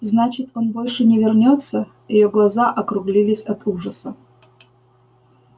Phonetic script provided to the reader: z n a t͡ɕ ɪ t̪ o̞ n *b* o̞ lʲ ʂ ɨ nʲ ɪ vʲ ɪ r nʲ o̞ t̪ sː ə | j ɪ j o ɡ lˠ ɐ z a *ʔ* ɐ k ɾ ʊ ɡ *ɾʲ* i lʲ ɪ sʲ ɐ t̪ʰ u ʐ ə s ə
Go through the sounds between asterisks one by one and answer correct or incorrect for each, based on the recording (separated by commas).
correct, correct, incorrect